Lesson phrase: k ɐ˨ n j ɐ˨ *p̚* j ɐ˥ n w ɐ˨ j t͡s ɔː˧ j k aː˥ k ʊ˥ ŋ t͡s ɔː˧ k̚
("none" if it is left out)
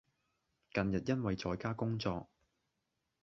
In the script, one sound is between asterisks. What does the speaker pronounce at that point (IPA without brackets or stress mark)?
t̚